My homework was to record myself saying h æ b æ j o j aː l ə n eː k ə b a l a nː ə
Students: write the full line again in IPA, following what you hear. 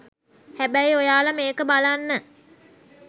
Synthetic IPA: h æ b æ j o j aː l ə m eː k ə b a l a nː ə